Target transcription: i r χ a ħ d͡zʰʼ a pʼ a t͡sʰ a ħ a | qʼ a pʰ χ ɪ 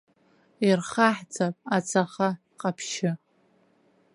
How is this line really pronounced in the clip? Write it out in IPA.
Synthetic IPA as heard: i r χ a ħ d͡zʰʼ a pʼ a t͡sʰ a χ a | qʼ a pʰ ʃ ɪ